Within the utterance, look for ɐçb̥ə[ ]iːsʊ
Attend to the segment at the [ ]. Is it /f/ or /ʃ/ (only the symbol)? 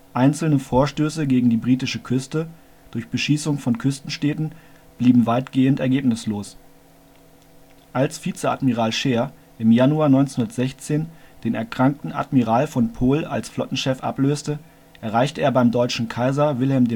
ʃ